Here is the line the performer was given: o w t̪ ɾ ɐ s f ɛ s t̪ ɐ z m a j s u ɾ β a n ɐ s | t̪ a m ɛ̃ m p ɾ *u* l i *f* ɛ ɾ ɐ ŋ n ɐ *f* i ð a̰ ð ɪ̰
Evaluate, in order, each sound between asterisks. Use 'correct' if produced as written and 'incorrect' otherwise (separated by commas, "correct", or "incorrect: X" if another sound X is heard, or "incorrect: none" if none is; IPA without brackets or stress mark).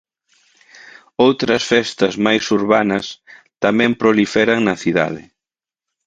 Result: incorrect: o, correct, incorrect: θ